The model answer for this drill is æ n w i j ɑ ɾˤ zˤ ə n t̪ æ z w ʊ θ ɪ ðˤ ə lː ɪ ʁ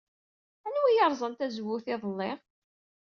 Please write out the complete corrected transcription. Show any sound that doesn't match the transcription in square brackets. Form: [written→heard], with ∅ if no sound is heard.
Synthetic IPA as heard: æ n w i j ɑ ɾˤ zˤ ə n t̪ æ z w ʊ θ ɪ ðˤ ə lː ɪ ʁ